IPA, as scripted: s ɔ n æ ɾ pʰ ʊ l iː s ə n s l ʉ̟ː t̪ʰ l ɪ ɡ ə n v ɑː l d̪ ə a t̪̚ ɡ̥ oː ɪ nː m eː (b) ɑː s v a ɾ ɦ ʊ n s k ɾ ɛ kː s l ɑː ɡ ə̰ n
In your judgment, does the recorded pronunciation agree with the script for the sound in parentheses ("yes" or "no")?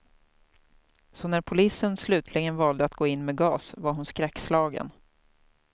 no